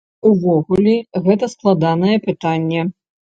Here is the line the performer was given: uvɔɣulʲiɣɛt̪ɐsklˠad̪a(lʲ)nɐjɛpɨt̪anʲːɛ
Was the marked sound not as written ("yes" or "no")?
yes